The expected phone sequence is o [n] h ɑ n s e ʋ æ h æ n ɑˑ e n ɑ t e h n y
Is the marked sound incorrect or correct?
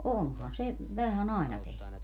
correct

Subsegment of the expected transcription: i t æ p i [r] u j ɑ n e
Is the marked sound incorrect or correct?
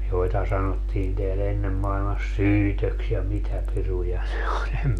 correct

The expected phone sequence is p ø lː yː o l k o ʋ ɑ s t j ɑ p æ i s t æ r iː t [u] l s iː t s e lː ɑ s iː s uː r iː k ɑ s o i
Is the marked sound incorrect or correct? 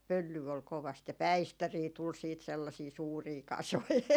correct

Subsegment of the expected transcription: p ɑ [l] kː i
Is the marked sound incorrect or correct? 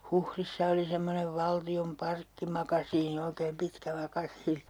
incorrect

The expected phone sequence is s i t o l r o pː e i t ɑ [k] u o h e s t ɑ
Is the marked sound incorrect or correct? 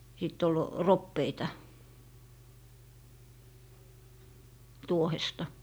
incorrect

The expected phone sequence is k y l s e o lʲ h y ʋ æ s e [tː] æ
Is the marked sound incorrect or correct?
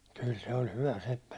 incorrect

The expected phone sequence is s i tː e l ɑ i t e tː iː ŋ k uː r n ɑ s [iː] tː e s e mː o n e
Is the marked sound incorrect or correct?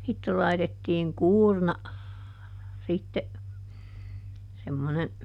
incorrect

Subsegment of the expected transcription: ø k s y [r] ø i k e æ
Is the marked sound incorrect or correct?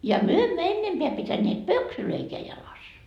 incorrect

